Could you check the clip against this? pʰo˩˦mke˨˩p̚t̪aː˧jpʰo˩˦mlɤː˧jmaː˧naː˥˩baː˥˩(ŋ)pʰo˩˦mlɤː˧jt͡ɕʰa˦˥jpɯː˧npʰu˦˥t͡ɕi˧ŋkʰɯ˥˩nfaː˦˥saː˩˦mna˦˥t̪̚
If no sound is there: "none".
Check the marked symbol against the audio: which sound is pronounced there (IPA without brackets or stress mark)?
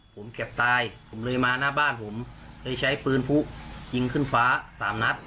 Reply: n